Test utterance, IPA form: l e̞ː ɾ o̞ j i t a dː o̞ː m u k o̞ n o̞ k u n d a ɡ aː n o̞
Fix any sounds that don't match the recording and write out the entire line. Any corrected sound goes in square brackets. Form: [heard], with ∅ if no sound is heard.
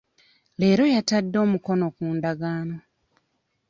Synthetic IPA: l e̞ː ɾ o̞ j [a] t a dː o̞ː m u k o̞ n o̞ k [uː] n d a ɡ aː n o̞